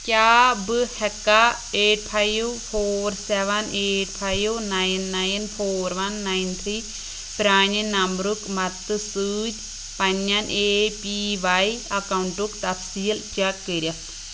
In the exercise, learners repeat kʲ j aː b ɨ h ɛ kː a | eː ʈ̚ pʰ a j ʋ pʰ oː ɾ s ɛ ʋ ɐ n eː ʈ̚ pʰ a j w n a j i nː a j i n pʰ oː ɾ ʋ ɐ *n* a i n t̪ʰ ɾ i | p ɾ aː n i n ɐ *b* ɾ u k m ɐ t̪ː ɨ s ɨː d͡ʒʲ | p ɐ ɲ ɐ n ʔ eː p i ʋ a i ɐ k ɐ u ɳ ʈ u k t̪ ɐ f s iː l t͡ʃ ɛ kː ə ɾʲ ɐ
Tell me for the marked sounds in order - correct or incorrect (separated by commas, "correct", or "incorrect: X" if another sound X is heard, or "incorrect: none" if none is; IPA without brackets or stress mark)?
incorrect: nː, incorrect: m